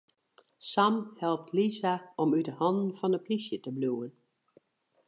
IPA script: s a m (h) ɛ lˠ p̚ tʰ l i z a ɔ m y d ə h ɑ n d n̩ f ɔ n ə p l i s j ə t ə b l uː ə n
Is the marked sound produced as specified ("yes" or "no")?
yes